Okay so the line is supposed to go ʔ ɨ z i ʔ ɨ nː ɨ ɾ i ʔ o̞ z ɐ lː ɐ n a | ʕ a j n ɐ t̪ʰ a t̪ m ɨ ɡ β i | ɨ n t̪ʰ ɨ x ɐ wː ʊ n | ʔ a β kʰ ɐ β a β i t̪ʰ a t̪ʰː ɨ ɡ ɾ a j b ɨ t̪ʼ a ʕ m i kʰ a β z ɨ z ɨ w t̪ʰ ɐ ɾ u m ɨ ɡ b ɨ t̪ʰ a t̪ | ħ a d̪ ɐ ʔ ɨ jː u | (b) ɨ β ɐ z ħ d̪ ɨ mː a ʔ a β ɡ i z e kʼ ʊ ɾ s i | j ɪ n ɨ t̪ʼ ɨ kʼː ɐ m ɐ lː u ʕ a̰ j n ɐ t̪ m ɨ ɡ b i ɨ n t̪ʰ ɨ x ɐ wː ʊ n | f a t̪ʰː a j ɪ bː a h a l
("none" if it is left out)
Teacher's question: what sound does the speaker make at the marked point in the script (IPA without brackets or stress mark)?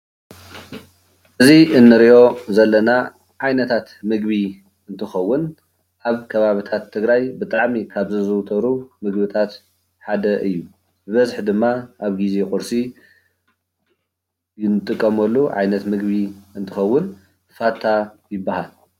b